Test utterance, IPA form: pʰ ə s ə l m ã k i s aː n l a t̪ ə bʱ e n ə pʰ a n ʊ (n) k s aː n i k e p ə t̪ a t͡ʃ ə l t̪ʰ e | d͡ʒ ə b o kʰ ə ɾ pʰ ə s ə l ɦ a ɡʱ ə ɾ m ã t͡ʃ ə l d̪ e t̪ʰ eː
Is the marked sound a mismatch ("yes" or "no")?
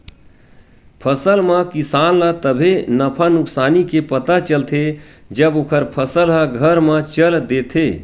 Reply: yes